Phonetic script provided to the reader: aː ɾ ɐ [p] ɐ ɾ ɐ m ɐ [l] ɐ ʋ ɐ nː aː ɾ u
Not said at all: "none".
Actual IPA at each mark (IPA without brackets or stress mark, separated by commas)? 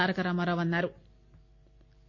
k, ɾ